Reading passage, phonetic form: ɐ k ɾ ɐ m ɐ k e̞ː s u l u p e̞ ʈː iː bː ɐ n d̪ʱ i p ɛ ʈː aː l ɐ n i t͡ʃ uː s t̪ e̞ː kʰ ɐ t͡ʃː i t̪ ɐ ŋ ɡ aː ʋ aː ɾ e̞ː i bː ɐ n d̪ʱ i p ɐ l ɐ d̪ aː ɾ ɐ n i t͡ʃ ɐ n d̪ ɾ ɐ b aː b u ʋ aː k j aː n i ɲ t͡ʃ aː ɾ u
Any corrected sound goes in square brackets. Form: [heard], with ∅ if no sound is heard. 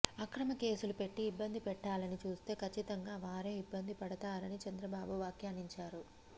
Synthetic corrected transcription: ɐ k ɾ ɐ m ɐ k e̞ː s u l u p e̞ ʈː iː bː ɐ n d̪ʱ i p ɛ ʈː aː l ɐ n i t͡ʃ uː s t̪ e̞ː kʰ ɐ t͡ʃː i t̪ ɐ ŋ ɡ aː ʋ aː ɾ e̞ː i bː ɐ n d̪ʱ i p ɐ [ɽ] ɐ [t̪] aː ɾ ɐ n i t͡ʃ ɐ n d̪ ɾ ɐ b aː b u ʋ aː k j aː n i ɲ t͡ʃ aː ɾ u